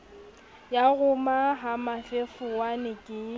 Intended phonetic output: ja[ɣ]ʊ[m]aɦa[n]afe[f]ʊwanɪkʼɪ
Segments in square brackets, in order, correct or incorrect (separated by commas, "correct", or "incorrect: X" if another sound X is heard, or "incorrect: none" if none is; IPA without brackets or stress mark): correct, correct, incorrect: m, correct